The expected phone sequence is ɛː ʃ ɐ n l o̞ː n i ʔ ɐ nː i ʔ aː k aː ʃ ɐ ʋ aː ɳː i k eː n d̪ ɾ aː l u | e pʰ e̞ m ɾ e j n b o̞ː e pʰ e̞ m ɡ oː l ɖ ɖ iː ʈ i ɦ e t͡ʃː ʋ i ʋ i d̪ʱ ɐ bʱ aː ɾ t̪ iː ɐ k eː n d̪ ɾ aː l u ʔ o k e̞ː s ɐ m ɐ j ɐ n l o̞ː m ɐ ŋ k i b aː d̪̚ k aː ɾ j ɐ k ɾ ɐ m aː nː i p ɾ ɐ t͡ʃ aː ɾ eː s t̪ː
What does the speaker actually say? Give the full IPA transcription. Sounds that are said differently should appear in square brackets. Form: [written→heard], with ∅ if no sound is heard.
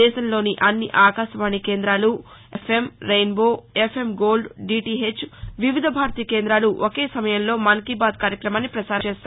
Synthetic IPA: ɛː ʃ ɐ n l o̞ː n i ʔ ɐ nː i ʔ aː k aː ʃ ɐ ʋ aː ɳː i k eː n d̪ ɾ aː l u | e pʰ e̞ m ɾ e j n b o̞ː e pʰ e̞ m ɡ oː l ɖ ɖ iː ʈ i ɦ e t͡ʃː ʋ i ʋ i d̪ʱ ɐ bʱ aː ɾ t̪ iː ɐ k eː n d̪ ɾ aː l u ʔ o k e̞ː s ɐ m ɐ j ɐ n l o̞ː m ɐ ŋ k i b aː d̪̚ k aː ɾ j ɐ k ɾ ɐ m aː nː i p ɾ ɐ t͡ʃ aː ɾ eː s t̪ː